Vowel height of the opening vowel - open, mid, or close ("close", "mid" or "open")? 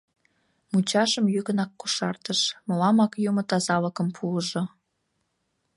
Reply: close